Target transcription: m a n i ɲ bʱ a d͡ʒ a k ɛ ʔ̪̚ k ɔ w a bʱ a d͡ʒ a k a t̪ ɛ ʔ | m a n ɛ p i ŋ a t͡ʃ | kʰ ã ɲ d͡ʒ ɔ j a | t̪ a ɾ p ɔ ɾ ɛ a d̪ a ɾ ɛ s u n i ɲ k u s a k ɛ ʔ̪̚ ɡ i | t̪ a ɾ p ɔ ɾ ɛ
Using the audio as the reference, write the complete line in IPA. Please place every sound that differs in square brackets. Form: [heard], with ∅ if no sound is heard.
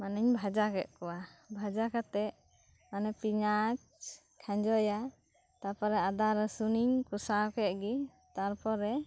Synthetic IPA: m a n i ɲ bʱ a d͡ʒ a k ɛ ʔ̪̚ k ɔ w a bʱ a d͡ʒ a k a t̪ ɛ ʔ | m a n ɛ p i [ɲ] a t͡ʃ | kʰ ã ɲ d͡ʒ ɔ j a | t̪ a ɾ p ɔ ɾ ɛ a d̪ a ɾ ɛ s u n i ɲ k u s a k ɛ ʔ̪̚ ɡ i | t̪ a ɾ p ɔ ɾ ɛ

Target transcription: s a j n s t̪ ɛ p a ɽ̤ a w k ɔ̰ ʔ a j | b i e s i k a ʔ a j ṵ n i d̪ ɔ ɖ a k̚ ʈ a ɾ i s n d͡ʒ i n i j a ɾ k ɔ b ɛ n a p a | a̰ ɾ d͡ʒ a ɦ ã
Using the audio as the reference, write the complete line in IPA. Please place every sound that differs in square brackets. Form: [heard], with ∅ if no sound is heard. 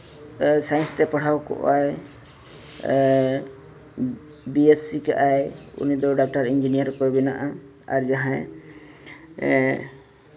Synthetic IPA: s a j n s t̪ ɛ p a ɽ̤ a w k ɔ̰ ʔ a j | b i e s i k a ʔ a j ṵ n i d̪ ɔ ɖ a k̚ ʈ a ɾ i [∅] n d͡ʒ i n i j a ɾ k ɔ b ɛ n a [ʔ] a | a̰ ɾ d͡ʒ a ɦ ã

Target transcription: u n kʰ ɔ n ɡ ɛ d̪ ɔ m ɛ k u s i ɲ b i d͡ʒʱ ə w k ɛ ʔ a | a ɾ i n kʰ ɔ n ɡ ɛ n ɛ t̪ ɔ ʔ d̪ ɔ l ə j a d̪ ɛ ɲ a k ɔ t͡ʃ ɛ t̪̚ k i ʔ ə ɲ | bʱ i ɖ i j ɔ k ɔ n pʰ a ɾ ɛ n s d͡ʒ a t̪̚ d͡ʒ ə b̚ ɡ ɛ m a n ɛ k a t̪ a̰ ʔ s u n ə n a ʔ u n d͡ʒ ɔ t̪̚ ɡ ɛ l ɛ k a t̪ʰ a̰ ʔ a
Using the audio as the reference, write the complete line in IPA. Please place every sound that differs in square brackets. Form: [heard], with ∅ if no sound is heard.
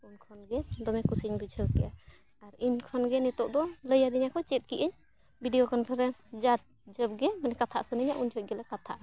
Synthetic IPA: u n kʰ ɔ n ɡ ɛ d̪ ɔ m ɛ k u s i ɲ b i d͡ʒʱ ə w k ɛ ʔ a | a ɾ i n kʰ ɔ n ɡ ɛ n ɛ t̪ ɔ ʔ d̪ ɔ l ə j a d̪ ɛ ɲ a k ɔ t͡ʃ ɛ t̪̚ k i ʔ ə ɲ | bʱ i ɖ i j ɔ k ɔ n pʰ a ɾ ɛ n s d͡ʒ a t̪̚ d͡ʒ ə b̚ ɡ ɛ m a n ɛ k a [t̪ʰ] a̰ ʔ s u n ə [ɲ] a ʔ u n d͡ʒ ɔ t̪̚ ɡ ɛ l ɛ k a t̪ʰ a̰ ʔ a

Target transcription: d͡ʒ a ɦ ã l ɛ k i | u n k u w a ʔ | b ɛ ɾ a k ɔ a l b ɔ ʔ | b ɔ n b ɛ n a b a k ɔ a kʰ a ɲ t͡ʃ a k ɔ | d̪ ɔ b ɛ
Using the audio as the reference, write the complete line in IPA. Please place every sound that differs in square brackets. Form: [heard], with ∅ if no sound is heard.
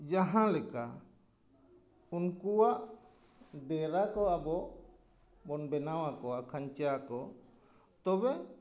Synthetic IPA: d͡ʒ a ɦ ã l ɛ k [a] | u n k u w a ʔ | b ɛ ɾ a k ɔ a [∅] b ɔ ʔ | b ɔ n b ɛ n a [w] a k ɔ a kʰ a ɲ t͡ʃ a k ɔ | [t̪] ɔ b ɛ

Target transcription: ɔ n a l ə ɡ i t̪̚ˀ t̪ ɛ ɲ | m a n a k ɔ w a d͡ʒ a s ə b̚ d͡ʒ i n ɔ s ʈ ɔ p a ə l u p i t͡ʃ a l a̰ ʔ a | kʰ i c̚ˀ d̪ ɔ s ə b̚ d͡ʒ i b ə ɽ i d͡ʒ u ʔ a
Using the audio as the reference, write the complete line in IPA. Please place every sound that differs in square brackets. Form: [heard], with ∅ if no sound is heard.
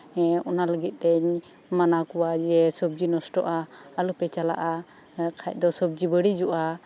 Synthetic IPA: ɔ n a l ə ɡ i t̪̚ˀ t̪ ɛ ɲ | m a n a k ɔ w a d͡ʒ [ɛ] s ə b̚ d͡ʒ i n ɔ s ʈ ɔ [ʔ] a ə l u p [ɛ] t͡ʃ a l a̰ ʔ a | kʰ [a] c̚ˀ d̪ ɔ s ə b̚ d͡ʒ i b ə ɽ i d͡ʒ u ʔ a

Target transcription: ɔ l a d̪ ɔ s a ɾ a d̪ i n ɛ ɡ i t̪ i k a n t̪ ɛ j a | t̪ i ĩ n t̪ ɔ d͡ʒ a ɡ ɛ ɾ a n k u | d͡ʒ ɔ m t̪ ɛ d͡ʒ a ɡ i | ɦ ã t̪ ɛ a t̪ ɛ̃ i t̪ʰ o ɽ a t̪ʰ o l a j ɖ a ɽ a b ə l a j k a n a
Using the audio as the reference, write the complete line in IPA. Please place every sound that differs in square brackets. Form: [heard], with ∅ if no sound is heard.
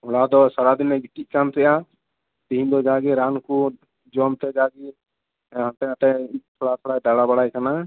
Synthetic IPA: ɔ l a d̪ ɔ s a ɾ a d̪ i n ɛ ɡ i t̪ i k a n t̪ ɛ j a | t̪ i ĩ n [d̪] ɔ d͡ʒ a ɡ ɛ ɾ a n k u | d͡ʒ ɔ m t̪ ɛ d͡ʒ a ɡ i | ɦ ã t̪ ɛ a t̪ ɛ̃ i t̪ʰ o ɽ a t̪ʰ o [ɽ] a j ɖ a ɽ a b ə [ɽ] a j k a n a

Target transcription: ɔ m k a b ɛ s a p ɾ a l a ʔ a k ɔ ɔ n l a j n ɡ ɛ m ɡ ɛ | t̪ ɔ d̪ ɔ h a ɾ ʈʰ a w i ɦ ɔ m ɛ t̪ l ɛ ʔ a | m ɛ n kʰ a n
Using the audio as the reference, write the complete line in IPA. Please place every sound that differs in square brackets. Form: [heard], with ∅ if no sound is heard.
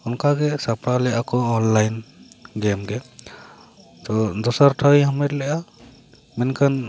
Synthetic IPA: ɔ [n] k a [ɡ] ɛ s a p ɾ a l [ɛ] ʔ a k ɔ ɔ n l a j n ɡ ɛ m ɡ ɛ | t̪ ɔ d̪ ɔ [s] a ɾ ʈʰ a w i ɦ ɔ m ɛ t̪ l ɛ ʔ a | m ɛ n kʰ a n

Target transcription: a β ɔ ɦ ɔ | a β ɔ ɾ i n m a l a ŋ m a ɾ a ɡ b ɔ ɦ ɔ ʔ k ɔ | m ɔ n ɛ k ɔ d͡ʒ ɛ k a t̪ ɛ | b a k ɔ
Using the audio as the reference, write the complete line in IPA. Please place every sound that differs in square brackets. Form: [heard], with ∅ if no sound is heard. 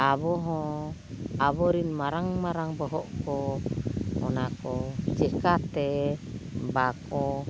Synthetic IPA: a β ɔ ɦ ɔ | a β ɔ ɾ i n m a [ɾ] a ŋ m a ɾ a [ŋ] b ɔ ɦ ɔ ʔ k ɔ | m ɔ n [a] k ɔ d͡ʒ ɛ k a t̪ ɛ | b a k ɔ

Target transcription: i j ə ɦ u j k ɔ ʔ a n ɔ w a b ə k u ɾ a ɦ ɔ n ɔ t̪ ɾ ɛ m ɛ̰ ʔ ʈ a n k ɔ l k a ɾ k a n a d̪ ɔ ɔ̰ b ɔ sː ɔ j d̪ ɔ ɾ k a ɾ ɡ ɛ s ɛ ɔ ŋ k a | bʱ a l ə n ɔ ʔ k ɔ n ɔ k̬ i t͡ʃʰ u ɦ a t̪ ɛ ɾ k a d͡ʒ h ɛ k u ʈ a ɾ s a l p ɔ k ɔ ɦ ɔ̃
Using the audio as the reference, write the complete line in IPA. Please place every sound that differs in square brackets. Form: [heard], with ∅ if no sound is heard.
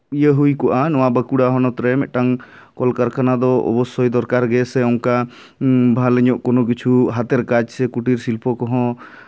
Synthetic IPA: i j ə ɦ u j k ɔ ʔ a n ɔ w a b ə k u [ɽ] a ɦ ɔ n ɔ t̪ ɾ ɛ m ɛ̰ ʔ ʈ a [ŋ] k ɔ l k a ɾ k a n a d̪ ɔ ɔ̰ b ɔ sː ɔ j d̪ ɔ ɾ k a ɾ ɡ ɛ s ɛ ɔ ŋ k a | bʱ a l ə [ɲ] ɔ ʔ k ɔ n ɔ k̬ i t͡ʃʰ u ɦ a t̪ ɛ ɾ k a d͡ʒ [s] ɛ k u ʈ [i] ɾ s [i] l p ɔ k ɔ ɦ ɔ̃

